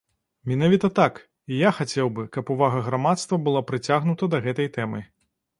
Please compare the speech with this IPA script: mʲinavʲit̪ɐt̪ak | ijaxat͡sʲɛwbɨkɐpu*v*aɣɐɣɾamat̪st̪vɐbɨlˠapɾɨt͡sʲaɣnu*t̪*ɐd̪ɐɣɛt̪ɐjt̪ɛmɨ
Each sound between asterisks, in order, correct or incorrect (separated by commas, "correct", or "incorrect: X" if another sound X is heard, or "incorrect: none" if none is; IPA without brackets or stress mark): correct, correct